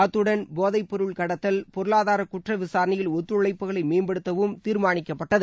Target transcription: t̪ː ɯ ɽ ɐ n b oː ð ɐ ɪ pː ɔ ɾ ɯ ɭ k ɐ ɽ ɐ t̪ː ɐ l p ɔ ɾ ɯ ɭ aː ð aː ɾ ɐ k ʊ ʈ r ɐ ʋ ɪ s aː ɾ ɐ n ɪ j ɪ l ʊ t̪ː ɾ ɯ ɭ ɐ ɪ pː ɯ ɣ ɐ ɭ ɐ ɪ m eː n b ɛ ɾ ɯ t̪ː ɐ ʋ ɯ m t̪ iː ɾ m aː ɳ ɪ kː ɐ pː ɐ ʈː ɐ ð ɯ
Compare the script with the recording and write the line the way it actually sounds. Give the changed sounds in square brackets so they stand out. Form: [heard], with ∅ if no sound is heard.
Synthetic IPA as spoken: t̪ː ɯ ɽ ɐ n b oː ð ɐ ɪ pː ɔ ɾ ɯ ɭ k ɐ ɽ ɐ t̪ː ɐ l p ɔ ɾ ɯ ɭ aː ð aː ɾ ɐ k ʊ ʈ r ɐ ʋ ɪ s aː ɾ ɐ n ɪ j ɪ l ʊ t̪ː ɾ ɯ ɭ ɐ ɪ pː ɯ ɣ ɐ ɭ ɐ ɪ m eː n b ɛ [ɽ] ɯ t̪ː ɐ ʋ ɯ m t̪ iː ɾ m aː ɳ ɪ kː ɐ pː ɐ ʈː ɐ ð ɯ